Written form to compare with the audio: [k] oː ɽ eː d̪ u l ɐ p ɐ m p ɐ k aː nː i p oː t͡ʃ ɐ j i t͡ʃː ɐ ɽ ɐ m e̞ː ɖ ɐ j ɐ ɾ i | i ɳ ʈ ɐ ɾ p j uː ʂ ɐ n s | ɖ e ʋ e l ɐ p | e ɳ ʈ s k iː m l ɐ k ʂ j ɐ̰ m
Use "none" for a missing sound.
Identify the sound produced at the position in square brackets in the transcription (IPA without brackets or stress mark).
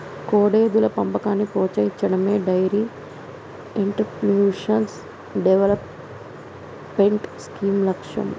k